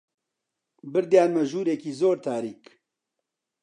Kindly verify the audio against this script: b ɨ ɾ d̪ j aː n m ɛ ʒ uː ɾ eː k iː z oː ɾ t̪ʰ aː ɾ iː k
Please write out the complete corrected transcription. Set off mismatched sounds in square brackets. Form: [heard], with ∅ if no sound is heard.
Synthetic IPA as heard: b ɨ ɾ d̪ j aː n m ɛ ʒ uː ɾ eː k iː z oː ɾ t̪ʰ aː ɾ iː k